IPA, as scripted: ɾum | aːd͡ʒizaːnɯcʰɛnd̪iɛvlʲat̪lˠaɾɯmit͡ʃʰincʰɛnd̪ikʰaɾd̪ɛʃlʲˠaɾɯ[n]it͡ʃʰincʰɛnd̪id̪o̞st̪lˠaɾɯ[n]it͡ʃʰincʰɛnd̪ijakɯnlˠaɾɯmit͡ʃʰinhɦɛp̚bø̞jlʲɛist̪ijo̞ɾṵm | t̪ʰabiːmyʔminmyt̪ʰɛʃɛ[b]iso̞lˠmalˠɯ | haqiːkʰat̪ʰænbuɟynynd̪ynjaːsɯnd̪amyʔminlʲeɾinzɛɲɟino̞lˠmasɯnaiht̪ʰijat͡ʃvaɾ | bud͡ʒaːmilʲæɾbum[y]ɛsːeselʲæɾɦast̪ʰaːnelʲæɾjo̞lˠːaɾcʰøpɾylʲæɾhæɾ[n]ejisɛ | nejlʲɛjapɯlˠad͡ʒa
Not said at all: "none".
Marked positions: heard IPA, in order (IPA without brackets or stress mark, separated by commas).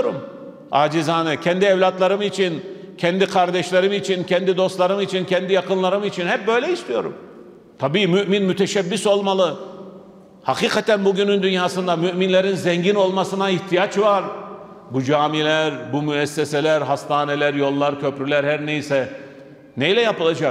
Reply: m, m, bː, y, n